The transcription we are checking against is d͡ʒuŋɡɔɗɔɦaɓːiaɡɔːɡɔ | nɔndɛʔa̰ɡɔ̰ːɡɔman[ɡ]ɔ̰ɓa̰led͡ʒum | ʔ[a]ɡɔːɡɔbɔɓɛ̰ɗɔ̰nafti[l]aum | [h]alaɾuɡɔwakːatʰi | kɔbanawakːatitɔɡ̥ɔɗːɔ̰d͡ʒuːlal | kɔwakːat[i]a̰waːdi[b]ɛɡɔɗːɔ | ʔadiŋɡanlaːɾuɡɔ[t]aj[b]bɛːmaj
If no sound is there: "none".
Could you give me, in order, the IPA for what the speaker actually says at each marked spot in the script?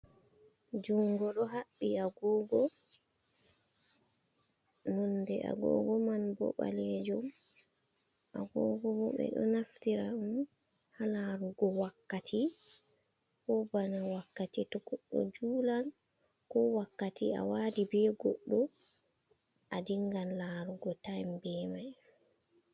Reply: b, a, ɾ, h, i, b, t, m

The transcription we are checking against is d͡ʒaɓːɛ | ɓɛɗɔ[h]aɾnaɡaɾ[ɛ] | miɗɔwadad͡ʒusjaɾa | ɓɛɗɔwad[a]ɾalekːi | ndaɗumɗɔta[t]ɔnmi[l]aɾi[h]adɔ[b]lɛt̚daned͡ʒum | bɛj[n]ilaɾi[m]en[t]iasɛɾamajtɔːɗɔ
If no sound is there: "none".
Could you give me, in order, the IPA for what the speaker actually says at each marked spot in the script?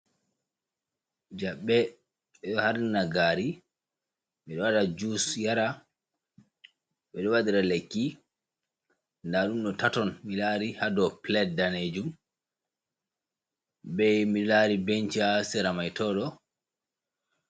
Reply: h, i, i, t, l, h, p, m, b, t͡ʃ

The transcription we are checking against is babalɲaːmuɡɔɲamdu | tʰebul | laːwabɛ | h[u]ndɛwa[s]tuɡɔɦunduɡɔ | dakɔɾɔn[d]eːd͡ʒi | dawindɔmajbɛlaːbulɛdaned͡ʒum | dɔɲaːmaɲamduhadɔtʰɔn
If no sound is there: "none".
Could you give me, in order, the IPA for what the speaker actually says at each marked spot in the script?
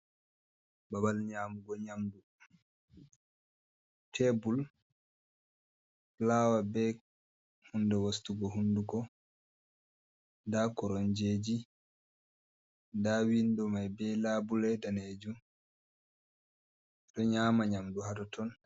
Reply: u, s, d͡ʒ

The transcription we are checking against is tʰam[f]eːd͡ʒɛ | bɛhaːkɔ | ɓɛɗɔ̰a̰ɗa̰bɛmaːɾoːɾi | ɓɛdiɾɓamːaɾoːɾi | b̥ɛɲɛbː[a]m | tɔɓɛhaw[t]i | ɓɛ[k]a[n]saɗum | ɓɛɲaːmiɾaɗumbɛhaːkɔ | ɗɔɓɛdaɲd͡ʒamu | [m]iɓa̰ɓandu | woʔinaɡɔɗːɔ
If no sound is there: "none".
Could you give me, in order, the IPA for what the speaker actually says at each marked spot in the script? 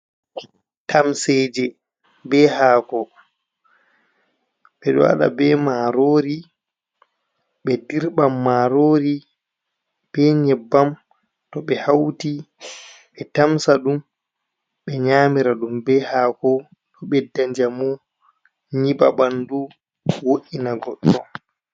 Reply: s, a, t, t, m, ɲ

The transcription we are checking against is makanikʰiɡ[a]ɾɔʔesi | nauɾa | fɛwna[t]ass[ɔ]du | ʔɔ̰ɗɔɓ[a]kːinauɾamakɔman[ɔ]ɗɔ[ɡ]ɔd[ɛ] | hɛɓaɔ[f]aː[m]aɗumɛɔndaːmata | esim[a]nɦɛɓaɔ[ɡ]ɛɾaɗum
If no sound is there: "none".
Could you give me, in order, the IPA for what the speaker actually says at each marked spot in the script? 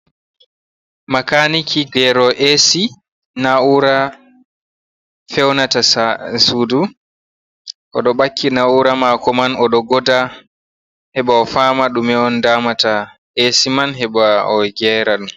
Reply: ɛ, t, u, a, ɔ, ɡ, a, f, m, a, ɡ

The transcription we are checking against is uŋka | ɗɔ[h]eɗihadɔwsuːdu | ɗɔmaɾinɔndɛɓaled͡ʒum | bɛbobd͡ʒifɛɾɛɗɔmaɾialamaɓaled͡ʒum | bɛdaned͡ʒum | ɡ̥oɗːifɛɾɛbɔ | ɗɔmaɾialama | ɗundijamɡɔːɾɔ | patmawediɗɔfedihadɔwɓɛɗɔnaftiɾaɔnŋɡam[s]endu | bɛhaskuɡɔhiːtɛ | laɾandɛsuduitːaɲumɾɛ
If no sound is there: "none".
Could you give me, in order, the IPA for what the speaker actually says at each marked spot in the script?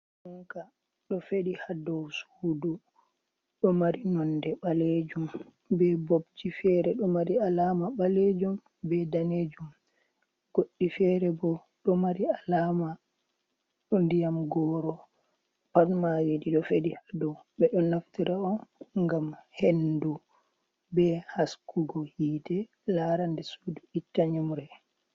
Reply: f, h

